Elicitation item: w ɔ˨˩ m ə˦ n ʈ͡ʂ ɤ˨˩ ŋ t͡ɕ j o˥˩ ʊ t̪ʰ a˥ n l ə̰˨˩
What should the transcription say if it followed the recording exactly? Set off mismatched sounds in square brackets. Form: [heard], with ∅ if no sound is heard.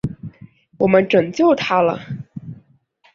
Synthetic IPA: w ɔ˨˩ m ə˦ n ʈ͡ʂ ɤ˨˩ ŋ t͡ɕ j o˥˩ ʊ t̪ʰ a˥ [∅] l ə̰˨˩